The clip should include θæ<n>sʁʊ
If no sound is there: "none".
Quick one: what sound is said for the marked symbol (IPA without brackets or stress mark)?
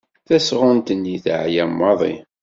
none